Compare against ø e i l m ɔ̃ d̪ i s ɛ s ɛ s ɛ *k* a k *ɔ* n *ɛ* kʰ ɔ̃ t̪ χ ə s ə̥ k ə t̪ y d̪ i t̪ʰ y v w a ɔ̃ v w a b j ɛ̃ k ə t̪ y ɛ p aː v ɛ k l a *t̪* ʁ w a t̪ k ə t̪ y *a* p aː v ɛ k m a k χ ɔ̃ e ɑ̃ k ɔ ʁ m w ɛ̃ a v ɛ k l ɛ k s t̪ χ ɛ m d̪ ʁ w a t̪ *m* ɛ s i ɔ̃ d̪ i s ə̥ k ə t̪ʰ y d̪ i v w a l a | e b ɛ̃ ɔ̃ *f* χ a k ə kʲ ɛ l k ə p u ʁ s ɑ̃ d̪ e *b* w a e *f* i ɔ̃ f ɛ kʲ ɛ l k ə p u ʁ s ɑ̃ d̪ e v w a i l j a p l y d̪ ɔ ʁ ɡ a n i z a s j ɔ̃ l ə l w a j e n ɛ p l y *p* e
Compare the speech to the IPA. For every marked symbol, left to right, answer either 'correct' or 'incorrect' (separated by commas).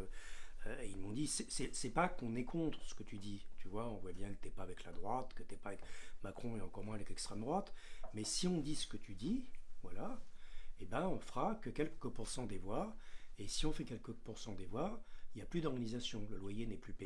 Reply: incorrect, incorrect, correct, incorrect, incorrect, correct, correct, incorrect, incorrect, correct